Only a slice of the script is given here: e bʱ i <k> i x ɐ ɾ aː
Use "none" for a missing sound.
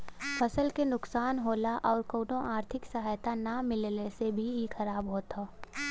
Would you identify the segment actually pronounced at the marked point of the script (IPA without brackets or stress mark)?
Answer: none